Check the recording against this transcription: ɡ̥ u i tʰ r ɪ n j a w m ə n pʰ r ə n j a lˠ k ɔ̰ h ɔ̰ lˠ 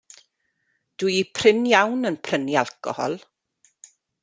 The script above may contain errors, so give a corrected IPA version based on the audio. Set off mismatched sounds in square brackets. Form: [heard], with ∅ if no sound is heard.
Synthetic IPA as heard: [d̥] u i [pʰ] r ɪ n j a w [n] ə n pʰ r ə n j a lˠ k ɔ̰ h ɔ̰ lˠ